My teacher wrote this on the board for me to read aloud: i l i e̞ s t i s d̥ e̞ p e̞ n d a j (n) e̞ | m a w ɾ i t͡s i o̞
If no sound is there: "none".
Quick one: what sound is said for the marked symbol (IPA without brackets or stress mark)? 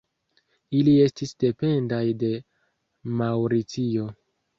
d